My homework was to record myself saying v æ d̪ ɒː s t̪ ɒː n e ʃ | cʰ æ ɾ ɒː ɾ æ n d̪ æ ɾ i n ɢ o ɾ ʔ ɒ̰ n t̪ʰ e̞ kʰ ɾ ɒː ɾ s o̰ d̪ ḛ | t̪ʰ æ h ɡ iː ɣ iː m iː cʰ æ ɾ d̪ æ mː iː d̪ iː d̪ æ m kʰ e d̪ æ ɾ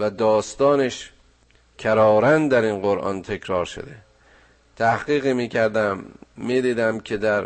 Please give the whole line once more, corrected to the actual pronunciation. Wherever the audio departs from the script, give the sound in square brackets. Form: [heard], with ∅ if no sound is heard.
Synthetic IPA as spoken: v æ d̪ ɒː s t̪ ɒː n e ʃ | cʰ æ ɾ ɒː ɾ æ n d̪ æ ɾ i n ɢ o ɾ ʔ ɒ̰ n t̪ʰ e̞ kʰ ɾ ɒː ɾ [ʃ] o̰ d̪ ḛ | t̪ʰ æ h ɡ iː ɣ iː m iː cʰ æ ɾ d̪ æ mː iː d̪ iː d̪ æ m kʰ e d̪ æ ɾ